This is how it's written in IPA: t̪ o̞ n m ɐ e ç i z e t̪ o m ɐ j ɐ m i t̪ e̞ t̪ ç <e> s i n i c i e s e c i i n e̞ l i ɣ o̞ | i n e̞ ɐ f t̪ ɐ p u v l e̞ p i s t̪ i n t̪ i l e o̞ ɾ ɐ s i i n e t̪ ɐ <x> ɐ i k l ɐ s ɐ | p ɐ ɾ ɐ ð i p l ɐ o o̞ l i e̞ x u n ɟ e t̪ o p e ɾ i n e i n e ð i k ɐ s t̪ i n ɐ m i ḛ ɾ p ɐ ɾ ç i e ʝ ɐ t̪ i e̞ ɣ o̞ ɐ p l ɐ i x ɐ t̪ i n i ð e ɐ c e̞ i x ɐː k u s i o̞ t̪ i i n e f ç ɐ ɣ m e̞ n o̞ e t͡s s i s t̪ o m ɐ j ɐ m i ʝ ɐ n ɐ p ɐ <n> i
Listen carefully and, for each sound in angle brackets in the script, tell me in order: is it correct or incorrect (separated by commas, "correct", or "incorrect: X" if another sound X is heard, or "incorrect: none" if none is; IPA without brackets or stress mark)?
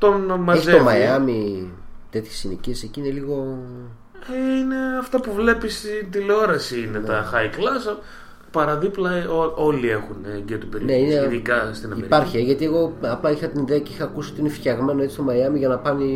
correct, correct, correct